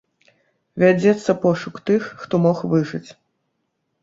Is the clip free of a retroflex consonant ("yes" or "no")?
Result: no